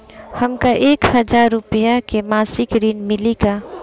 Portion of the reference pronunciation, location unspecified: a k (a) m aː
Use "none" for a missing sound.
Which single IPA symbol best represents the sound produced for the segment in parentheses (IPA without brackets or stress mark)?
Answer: e